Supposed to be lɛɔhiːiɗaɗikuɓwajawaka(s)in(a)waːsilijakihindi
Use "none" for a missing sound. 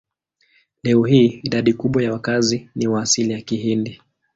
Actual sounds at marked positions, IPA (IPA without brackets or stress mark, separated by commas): z, i